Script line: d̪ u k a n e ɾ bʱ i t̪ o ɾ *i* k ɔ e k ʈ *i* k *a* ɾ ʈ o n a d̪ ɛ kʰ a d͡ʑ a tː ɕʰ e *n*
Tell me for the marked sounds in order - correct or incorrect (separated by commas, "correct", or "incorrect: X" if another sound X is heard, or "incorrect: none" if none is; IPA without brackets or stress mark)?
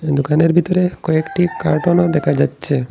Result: incorrect: e, correct, correct, incorrect: none